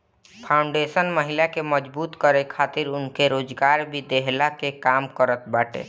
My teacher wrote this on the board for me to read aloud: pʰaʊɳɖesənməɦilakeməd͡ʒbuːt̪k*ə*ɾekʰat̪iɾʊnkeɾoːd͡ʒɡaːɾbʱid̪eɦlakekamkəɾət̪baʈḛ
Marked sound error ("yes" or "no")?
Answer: no